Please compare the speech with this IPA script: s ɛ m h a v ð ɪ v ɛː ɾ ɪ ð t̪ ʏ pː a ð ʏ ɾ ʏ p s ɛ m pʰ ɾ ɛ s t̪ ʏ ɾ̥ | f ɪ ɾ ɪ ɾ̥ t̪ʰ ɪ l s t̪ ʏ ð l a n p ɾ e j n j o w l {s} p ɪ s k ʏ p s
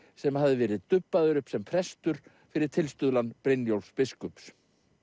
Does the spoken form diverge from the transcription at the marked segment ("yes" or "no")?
no